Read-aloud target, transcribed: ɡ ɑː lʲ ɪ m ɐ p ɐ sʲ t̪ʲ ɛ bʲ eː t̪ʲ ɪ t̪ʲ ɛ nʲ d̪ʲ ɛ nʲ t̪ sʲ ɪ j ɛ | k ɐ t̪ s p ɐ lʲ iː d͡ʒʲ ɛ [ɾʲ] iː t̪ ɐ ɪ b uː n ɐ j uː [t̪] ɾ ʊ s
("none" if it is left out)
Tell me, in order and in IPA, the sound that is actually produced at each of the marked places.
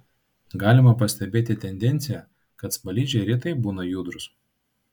ɾʲ, d̪

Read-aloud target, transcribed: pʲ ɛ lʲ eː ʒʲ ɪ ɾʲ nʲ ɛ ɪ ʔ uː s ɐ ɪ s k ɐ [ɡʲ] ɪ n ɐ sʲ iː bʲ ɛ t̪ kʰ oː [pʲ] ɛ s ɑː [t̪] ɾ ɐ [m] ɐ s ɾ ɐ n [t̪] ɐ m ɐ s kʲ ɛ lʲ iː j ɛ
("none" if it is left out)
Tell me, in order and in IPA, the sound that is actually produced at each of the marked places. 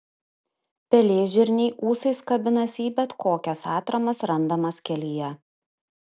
bʲ, kʲ, t̪, m, d̪

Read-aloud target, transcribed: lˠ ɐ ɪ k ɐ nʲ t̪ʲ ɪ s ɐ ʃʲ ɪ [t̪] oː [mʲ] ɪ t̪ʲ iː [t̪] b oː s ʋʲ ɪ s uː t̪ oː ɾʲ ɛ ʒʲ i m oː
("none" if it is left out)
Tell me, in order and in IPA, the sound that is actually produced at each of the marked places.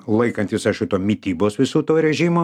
t̪, mʲ, none

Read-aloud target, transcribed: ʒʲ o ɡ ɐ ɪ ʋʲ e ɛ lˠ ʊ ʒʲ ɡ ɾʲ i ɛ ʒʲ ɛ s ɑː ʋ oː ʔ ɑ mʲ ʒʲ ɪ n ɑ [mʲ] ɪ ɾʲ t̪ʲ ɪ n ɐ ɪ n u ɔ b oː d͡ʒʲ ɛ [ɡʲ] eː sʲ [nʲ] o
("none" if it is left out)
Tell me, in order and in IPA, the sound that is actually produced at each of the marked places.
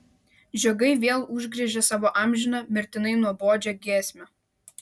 mʲ, ɡʲ, mʲ

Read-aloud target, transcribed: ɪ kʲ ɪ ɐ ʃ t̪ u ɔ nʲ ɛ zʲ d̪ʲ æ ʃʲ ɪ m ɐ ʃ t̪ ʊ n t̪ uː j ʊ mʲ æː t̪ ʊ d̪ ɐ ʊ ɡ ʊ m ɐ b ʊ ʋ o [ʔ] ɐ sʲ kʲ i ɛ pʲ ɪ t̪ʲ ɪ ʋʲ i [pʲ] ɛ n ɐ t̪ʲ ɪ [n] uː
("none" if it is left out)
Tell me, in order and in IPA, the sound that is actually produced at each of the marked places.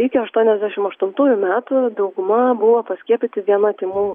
p, none, m

